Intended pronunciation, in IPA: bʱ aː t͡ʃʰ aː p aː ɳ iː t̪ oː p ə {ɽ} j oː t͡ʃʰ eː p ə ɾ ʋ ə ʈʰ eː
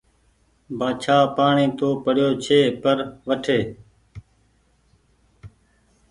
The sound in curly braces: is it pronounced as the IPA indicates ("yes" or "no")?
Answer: yes